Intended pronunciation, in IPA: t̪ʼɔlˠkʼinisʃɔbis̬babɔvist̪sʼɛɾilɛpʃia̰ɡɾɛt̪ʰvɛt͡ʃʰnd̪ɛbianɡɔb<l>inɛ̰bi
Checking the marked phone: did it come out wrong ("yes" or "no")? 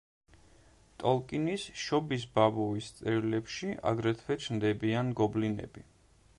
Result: no